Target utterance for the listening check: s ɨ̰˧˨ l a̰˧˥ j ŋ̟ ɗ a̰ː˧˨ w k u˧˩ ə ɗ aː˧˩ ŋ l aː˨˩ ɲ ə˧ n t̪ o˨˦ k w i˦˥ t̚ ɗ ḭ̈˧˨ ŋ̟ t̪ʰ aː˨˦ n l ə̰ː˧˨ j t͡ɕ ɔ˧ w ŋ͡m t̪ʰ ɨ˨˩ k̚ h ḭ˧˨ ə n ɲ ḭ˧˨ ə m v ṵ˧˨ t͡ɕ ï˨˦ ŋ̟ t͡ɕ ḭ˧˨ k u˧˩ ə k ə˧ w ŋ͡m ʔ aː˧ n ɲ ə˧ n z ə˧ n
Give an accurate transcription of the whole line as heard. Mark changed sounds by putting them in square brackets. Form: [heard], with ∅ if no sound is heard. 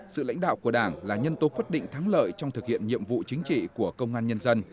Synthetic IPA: s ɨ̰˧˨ l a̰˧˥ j ŋ̟ ɗ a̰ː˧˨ w k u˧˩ ə ɗ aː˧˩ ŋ l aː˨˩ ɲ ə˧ n t̪ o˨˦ k w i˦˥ t̚ ɗ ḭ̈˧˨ ŋ̟ t̪ʰ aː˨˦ [ŋ] l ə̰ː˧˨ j t͡ɕ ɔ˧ w ŋ͡m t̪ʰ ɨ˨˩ k̚ h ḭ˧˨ ə n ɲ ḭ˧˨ ə m v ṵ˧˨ t͡ɕ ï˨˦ ŋ̟ t͡ɕ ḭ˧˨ k u˧˩ ə k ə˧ w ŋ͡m ʔ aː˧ n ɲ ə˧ n z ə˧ n